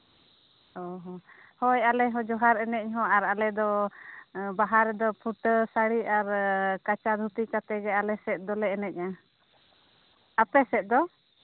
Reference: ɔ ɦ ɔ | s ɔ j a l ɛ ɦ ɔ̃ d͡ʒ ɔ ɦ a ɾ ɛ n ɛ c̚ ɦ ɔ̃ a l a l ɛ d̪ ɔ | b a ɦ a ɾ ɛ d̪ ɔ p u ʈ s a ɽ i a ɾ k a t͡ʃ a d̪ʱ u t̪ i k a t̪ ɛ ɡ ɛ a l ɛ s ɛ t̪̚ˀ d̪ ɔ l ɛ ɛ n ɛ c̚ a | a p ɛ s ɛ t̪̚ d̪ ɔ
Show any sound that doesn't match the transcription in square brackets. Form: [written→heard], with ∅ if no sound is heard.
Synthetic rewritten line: ɔ ɦ ɔ | [s→h] ɔ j a l ɛ ɦ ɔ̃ d͡ʒ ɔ ɦ a ɾ ɛ n ɛ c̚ ɦ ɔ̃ a [l→ɾ] a l ɛ d̪ ɔ | b a ɦ a ɾ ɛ d̪ ɔ [p→pʰ] u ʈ s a ɽ i a ɾ k a t͡ʃ a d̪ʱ u t̪ i k a t̪ ɛ ɡ ɛ a l ɛ s ɛ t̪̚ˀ d̪ ɔ l ɛ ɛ n ɛ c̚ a | a p ɛ s ɛ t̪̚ d̪ ɔ